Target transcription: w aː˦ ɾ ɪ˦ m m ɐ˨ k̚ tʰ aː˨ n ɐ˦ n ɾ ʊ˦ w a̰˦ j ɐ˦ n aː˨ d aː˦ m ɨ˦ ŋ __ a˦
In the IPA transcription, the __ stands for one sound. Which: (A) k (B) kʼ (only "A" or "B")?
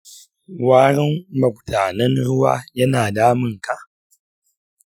A